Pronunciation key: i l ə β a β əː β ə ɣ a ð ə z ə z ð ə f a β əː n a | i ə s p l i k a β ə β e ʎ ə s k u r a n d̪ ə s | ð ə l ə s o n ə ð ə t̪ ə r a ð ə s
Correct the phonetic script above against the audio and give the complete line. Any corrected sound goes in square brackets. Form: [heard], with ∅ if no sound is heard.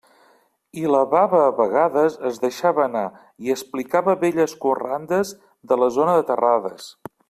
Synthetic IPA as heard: i l ə β a β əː β ə ɣ a ð ə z ə z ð ə [ʃ] a β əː n a | i ə s p l i k a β ə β e ʎ ə s k u r a n d̪ ə [z] | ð ə l ə [z] o n ə ð ə t̪ ə r a ð ə s